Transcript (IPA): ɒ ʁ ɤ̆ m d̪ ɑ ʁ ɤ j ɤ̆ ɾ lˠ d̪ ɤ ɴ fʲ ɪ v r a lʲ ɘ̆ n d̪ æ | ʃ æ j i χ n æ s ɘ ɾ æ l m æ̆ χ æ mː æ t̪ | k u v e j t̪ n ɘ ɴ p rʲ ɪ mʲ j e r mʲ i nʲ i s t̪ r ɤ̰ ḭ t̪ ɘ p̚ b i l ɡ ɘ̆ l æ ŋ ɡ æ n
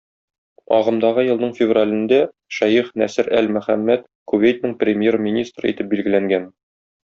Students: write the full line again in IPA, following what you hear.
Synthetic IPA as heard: ɒ ʁ ɤ̆ m d̪ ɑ ʁ ɤ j ɤ̆ lˠ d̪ ɤ ɴ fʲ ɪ v r a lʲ ɘ̆ n d̪ æ | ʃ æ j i χ n æ s ɘ ɾ æ l m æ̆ χ æ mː æ t̪ | k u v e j t̪ n ɘ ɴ p rʲ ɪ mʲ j e r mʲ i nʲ i s t̪ r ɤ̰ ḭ t̪ ɘ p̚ b i l ɡ ɘ̆ l æ ŋ ɡ æ n